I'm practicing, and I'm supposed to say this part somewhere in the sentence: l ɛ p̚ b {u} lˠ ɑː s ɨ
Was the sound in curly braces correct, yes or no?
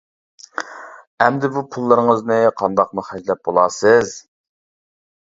no